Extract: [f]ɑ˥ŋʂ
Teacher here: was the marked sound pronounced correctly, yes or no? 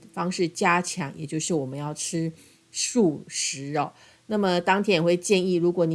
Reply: yes